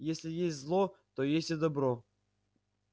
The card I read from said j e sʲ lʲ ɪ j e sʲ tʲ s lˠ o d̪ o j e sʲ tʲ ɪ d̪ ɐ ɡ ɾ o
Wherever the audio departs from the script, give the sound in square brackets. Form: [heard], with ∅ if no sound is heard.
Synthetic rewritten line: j e sʲ lʲ ɪ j e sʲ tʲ [z] lˠ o [t̪] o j e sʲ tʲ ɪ d̪ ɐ [b] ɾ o